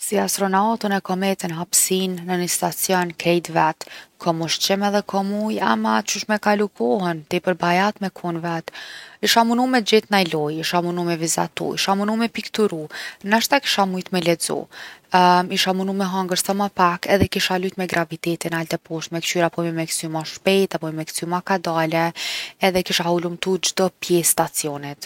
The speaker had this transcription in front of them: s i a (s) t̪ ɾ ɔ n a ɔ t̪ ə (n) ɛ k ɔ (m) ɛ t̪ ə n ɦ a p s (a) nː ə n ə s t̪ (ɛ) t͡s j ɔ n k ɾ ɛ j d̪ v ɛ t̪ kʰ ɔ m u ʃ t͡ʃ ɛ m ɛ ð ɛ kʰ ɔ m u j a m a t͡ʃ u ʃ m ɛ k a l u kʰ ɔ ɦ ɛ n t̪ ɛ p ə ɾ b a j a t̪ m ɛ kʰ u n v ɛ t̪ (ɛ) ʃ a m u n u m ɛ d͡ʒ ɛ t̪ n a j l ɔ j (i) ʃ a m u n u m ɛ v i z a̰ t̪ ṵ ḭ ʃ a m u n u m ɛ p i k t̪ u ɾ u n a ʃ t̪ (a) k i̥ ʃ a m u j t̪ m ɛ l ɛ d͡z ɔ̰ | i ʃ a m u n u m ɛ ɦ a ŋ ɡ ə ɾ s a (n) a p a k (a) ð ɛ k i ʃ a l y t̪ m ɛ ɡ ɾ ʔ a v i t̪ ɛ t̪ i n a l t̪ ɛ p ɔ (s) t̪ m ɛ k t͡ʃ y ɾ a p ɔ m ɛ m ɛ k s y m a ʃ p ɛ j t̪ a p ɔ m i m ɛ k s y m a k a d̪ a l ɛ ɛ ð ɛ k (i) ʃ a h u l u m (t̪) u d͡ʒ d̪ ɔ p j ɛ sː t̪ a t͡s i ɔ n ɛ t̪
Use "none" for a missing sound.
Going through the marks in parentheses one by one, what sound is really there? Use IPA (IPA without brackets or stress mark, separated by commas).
s, n, m, i, a, i, i, a, m, ɛ, ʃ, i, t̪